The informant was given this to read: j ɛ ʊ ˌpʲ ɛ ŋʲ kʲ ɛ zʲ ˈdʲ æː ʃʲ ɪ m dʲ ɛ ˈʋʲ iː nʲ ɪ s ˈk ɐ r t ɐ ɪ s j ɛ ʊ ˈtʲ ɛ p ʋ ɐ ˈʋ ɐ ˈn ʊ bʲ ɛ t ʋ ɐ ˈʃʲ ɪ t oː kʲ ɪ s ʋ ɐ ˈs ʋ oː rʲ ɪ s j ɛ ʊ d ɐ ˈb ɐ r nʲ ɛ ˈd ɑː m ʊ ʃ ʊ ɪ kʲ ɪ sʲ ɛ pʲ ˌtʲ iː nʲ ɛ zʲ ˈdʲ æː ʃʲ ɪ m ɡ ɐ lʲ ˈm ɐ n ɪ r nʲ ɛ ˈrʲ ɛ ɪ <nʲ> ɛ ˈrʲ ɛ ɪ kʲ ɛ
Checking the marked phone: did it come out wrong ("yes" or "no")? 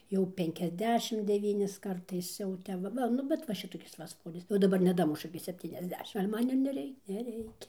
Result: no